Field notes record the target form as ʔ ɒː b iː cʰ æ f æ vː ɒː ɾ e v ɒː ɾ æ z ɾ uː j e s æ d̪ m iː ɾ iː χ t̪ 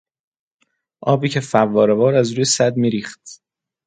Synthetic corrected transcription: ʔ ɒː b iː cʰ e f æ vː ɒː ɾ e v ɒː ɾ æ z ɾ uː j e s æ d̪ m iː ɾ iː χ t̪